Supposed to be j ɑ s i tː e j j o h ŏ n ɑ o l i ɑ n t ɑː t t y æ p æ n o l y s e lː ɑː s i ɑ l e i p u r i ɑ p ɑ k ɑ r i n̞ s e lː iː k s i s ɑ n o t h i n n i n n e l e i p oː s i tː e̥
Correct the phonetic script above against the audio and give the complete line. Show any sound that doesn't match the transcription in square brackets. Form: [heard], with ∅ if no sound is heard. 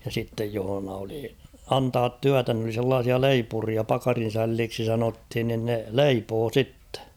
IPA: j ɑ s i tː e j j o h ŏ n ɑ o l i ɑ n t ɑː t t y æ [t] æ n o l [i] s e lː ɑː s i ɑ l e i p u r i ɑ p ɑ k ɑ r i n̞ s [æ] lː iː k s i s ɑ n o t h i n n i n n e l e i p oː s i tː e̥

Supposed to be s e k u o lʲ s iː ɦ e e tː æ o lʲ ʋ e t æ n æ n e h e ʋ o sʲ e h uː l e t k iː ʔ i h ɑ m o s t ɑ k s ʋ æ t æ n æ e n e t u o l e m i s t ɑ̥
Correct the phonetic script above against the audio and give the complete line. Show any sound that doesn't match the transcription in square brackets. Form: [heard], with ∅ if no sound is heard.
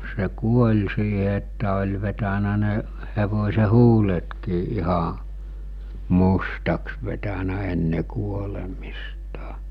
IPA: s e k u o lʲ s iː ɦ e e tː æ o lʲ ʋ e t æ n æ n e h e ʋ o sʲ e h uː l e t k iː ʔ i h ɑ m [u] s t ɑ k s ʋ [e] t æ n æ e [nː] e [k] u o l e m i s t ɑ̥

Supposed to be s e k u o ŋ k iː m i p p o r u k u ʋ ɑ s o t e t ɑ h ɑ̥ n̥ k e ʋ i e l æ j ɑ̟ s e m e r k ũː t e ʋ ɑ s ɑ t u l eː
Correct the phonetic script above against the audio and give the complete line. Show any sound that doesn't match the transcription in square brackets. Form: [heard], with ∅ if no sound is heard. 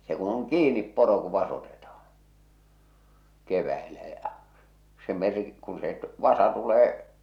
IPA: s e k u o ŋ k iː [n] i p p o r [o] k u ʋ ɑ s o t e t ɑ h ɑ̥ n̥ k e ʋ [æ] e l æ j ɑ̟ s e m e r k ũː [s] e ʋ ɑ s ɑ t u l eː

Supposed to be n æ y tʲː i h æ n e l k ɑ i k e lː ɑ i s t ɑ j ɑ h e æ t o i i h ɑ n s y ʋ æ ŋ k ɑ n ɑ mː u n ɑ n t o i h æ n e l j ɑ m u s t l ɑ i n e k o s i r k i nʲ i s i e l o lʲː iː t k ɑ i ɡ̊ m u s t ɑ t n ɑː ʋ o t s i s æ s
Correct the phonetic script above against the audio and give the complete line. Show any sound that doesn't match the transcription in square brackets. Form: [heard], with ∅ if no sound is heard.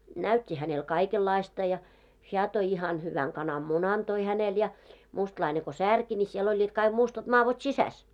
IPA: n æ y tʲː i h æ n e l k ɑ i k e lː ɑ i s t ɑ j ɑ h e æ t o i i h ɑ n [h] y ʋ æ ŋ k ɑ n ɑ mː u n ɑ n t o i h æ n e l j ɑ m u s t l ɑ i n e k o s [æ] r k i nʲ i s i e l o lʲː iː t k ɑ i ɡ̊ m u s t ɑ t [m] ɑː ʋ o t s i s æ s

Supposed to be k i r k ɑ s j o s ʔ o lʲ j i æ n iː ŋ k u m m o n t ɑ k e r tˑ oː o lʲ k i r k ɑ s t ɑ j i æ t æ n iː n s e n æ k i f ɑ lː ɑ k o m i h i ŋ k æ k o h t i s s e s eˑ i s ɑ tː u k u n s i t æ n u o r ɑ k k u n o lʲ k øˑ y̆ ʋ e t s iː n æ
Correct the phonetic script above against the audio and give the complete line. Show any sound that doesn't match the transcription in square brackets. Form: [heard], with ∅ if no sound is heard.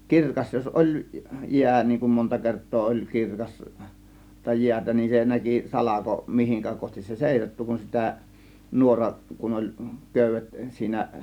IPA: k i r k ɑ s j o s ʔ o lʲ j i æ n iː ŋ k u m m o n t ɑ k e r tˑ oː o lʲ k i r k ɑ s t ɑ j i æ t æ n [i] n s e n æ k i [s] ɑ [l] ɑ k o m i h i ŋ k æ k o h t i s s e s eˑ i s ɑ tː u k u n s i t æ n u o r ɑ [ʔ] k u n o lʲ k øˑ y̆ ʋ e t s iː n æ

